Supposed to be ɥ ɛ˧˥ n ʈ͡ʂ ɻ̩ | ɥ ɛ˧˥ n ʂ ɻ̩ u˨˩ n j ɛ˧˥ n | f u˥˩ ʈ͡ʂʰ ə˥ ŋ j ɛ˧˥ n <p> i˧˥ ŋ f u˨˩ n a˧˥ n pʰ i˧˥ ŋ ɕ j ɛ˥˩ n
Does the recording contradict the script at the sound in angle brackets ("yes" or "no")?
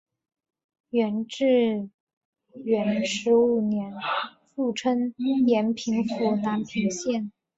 yes